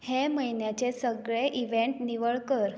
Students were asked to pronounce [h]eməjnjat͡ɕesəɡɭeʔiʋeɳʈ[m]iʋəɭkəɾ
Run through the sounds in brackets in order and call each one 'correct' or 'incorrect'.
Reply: correct, incorrect: n

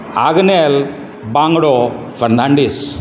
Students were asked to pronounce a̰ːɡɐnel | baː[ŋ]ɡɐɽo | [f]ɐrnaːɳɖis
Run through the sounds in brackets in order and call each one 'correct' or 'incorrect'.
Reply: correct, correct

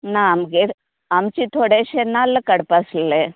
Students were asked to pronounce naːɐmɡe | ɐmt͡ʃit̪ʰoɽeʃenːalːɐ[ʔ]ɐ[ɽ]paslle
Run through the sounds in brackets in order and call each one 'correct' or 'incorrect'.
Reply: incorrect: k, correct

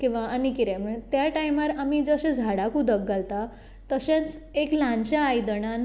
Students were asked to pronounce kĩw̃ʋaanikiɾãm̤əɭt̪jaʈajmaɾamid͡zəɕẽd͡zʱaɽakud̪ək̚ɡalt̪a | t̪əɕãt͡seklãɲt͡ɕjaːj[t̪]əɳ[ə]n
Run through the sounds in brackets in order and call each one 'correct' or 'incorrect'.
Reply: incorrect: d̪, incorrect: a

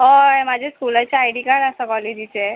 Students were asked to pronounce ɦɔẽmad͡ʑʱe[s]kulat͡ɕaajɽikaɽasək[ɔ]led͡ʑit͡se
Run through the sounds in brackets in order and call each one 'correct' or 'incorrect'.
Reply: correct, correct

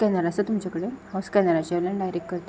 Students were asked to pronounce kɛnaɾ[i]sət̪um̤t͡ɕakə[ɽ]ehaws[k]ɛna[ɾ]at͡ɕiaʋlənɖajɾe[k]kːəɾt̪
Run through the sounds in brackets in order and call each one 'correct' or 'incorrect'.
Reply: incorrect: a, correct, correct, correct, correct

